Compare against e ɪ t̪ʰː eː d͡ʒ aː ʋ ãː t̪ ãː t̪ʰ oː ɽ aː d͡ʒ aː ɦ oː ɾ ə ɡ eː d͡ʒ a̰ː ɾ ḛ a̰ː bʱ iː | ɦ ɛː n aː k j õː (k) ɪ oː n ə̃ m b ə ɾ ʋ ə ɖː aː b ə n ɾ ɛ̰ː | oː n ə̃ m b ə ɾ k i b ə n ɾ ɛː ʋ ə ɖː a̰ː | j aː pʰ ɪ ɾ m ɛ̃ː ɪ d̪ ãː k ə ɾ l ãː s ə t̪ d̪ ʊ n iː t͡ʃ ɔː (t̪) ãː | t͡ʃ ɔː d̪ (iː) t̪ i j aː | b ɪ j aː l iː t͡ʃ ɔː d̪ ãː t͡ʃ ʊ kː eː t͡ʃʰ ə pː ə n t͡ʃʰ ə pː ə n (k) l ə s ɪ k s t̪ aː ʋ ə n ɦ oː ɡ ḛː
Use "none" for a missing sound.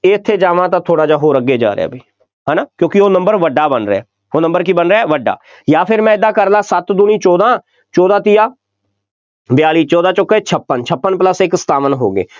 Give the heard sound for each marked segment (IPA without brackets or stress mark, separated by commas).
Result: k, d̪, aː, p